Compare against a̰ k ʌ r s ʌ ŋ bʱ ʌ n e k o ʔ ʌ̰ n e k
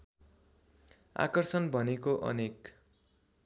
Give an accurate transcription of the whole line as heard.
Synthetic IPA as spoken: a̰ k ʌ r s ʌ n bʱ ʌ n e k o ʔ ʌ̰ n e k